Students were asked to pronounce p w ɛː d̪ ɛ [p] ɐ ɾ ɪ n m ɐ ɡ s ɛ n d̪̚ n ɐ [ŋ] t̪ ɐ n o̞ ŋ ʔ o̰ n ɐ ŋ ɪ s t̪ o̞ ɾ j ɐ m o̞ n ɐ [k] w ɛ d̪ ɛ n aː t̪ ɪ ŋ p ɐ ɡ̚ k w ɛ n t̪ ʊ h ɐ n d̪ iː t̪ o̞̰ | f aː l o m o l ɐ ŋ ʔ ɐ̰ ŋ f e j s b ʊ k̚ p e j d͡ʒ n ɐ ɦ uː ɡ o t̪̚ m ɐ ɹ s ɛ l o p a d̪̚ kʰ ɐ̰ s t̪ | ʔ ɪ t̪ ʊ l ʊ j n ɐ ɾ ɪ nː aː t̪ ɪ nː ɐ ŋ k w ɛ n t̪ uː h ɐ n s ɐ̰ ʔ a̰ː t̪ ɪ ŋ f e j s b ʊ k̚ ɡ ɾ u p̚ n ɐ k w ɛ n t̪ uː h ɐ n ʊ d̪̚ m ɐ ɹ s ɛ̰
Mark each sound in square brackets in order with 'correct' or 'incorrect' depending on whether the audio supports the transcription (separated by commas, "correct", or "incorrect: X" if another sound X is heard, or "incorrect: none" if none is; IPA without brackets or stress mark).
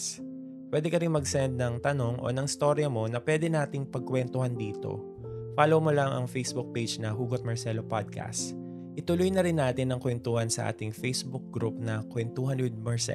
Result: incorrect: k, correct, incorrect: p